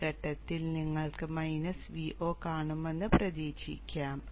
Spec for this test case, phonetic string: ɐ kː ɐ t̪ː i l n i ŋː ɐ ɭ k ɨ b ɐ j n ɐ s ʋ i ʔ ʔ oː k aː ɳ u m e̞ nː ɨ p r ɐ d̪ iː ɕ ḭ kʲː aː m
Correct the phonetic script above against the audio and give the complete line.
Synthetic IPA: ɐ ʈː ɐ t̪ː i l n i ŋː ɐ ɭ k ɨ m ɐ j n ɐ s ʋ i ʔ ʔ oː k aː ɳ u m e̞ nː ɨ p r ɐ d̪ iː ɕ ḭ kʲː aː m